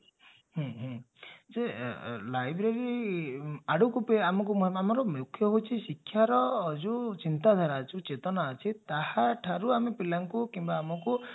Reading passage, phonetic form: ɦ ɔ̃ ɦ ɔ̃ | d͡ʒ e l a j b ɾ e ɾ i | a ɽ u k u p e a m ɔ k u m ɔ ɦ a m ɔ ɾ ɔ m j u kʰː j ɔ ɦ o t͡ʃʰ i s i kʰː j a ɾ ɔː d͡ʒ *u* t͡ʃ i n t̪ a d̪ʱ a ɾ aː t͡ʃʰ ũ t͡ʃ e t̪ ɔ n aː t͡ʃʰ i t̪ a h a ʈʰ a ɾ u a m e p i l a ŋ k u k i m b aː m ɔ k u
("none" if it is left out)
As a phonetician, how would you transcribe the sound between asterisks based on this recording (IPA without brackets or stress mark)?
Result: u